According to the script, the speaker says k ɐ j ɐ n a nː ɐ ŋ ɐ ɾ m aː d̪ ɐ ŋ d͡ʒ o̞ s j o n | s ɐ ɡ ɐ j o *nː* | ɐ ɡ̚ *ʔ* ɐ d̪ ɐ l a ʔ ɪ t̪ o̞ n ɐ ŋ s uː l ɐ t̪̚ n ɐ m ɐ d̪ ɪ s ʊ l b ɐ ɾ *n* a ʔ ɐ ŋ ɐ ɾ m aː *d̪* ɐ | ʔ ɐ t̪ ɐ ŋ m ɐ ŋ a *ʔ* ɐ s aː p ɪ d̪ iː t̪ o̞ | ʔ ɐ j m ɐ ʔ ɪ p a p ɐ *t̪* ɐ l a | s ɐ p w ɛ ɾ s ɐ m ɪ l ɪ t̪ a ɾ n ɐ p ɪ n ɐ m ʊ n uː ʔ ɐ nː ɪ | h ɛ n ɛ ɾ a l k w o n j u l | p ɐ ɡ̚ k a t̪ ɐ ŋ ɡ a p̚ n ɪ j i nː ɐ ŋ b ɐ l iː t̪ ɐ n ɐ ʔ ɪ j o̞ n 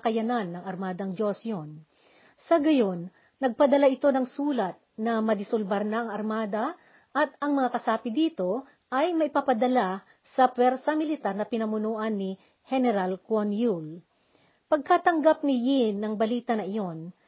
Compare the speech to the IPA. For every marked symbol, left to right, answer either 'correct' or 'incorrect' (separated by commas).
correct, incorrect, correct, correct, incorrect, incorrect